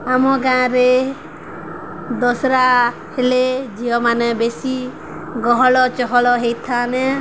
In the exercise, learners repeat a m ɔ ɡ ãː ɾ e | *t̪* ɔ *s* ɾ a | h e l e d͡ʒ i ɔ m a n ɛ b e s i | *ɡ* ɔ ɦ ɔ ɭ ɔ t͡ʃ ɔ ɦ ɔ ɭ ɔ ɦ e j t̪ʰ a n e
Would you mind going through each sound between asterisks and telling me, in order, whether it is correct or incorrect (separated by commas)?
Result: incorrect, correct, correct